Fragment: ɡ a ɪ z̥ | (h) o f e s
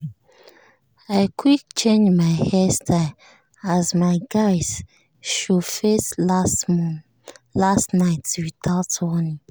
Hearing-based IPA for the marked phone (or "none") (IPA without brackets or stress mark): ʃ